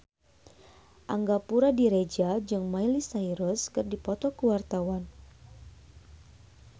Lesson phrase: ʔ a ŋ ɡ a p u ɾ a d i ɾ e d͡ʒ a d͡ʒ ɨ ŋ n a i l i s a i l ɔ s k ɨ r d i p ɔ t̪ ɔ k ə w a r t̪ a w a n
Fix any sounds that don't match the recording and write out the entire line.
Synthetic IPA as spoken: ʔ a ŋ ɡ a p u ɾ a d i ɾ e d͡ʒ a d͡ʒ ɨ ŋ m a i l i s a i ɾ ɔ s k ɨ r d i p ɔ t̪ ɔ k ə w a r t̪ a w a n